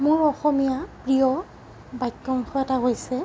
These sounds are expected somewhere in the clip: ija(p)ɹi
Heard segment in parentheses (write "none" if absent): p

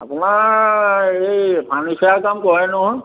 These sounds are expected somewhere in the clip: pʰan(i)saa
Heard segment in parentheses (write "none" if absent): i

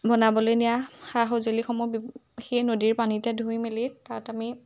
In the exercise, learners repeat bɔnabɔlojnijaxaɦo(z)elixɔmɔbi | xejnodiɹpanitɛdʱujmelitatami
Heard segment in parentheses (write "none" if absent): z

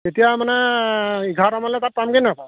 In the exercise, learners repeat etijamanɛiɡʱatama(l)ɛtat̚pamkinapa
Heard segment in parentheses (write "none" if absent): l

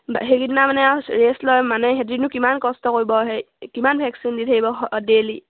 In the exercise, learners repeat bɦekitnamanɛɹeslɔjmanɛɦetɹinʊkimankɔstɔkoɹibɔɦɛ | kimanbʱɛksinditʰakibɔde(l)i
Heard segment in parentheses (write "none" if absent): l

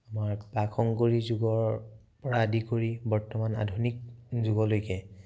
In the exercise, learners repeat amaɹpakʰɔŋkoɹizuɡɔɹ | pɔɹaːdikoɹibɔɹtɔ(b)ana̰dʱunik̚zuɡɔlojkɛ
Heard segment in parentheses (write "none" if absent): m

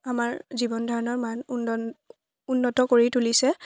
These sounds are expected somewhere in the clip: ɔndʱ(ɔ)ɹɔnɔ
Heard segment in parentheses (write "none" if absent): ɔ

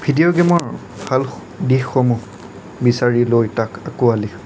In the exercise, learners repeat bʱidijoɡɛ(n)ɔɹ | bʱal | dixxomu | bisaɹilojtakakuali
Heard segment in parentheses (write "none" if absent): m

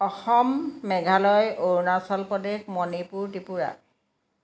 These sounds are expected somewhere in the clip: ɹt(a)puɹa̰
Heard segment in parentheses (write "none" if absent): i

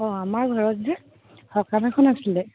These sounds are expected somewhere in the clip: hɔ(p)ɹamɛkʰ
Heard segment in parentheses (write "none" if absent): k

